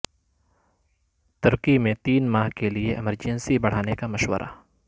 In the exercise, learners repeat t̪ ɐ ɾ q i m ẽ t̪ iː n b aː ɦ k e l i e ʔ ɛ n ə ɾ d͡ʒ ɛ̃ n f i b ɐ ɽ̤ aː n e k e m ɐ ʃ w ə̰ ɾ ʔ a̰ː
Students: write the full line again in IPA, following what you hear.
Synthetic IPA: t̪ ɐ ɾ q i m ẽ t̪ iː n m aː ɦ k e l i e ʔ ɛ m ə ɾ d͡ʒ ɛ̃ n s i b ɐ ɽ̤ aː n e k a m ɐ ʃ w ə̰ ɾ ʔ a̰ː